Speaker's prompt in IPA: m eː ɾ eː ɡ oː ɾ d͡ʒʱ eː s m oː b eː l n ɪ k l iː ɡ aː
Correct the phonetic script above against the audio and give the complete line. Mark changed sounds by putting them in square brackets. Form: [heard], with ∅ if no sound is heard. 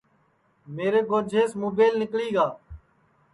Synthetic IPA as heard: m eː ɾ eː ɡ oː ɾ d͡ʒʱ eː s m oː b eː l n ɪ k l iː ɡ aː